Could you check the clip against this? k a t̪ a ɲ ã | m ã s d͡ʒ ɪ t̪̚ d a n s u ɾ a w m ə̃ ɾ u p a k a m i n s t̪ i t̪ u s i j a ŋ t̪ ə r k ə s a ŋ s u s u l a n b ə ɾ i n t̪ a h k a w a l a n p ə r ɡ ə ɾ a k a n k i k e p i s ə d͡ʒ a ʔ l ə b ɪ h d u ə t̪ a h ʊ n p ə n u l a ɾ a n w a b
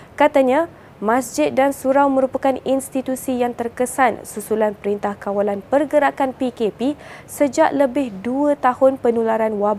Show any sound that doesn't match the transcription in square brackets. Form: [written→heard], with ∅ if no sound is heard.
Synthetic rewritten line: k a t̪ a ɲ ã | m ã s d͡ʒ ɪ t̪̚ d a n s u ɾ a w m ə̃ ɾ u p a k a [m→n] i n s t̪ i t̪ u s i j a ŋ t̪ ə r k ə s a [ŋ→n] s u s u l a n [b→p] ə ɾ i n t̪ a h k a w a l a n p ə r ɡ ə ɾ a k a n [k→p] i k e p i s ə d͡ʒ a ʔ l ə b ɪ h d u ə t̪ a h ʊ n p ə n u l a ɾ a n w a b